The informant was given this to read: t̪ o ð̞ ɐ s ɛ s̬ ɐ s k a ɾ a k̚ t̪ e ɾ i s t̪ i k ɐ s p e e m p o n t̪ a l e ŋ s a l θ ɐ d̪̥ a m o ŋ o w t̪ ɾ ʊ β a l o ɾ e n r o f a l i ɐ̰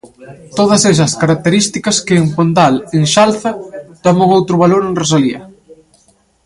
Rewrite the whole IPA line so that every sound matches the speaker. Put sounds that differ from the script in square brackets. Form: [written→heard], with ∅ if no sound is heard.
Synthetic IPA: t̪ o ð̞ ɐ s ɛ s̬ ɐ s k a ɾ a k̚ t̪ e ɾ i s t̪ i k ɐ s [p→k] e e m p o n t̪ a l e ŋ [s→ʃ] a l θ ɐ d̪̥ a m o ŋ o w t̪ ɾ ʊ β a l o ɾ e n r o [f→s] a l i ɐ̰